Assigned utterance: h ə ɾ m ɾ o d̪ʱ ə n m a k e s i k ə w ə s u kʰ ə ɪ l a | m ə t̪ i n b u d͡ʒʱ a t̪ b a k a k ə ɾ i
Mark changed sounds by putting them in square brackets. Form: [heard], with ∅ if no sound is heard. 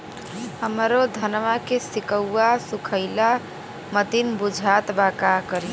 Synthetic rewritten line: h ə [∅] m ɾ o d̪ʱ ə n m a k e s i k ə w [a] s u kʰ ə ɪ l a | m ə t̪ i n b u d͡ʒʱ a t̪ b a k a k ə ɾ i